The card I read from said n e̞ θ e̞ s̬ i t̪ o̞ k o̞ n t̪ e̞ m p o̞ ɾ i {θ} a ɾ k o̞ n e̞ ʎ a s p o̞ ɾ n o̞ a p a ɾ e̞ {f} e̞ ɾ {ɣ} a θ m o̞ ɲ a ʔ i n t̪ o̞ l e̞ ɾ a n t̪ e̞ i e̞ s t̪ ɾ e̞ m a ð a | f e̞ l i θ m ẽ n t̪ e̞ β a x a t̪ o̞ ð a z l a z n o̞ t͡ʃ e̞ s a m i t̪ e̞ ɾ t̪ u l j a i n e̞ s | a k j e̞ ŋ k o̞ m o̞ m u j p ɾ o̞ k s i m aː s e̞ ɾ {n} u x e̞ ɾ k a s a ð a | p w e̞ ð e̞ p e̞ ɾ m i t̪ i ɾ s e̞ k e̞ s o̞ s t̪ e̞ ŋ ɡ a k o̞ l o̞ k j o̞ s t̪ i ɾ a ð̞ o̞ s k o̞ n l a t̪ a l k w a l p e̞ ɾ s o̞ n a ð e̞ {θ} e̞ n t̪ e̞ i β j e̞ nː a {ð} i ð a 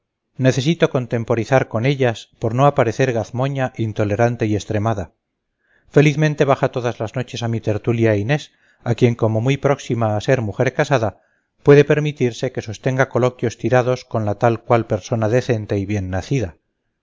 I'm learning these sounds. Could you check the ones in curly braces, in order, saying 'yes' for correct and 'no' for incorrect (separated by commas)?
yes, no, yes, no, yes, no